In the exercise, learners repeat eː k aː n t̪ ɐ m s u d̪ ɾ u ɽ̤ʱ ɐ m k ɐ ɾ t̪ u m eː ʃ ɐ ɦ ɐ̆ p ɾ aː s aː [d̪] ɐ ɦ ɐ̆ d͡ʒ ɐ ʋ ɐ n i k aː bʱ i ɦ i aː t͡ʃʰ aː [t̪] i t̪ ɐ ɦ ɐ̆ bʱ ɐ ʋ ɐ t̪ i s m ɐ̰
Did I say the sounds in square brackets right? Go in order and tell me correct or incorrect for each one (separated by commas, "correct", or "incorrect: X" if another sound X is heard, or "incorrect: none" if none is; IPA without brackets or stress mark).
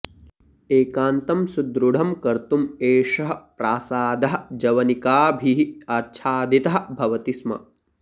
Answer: correct, incorrect: d̪